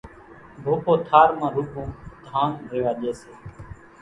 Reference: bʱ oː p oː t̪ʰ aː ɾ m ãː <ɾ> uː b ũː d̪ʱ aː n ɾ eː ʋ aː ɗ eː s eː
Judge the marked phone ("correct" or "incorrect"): correct